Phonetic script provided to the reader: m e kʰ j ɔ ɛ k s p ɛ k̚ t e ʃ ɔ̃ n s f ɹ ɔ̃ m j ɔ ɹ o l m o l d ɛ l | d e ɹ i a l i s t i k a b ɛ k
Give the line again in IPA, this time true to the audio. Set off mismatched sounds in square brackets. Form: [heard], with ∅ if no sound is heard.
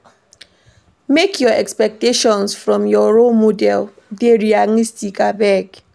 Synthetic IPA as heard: m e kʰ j ɔ ɛ k s p ɛ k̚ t e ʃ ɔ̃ n s f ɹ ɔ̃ m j ɔ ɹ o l m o [∅] d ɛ l | d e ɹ i a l i s t i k a b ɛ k